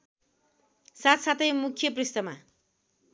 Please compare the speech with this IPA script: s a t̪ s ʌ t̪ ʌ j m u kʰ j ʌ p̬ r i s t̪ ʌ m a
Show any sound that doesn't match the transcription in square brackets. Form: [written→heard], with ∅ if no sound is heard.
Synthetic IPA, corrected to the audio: s a t̪ s [ʌ→a] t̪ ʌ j m u kʰ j ʌ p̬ r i s t̪ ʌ m a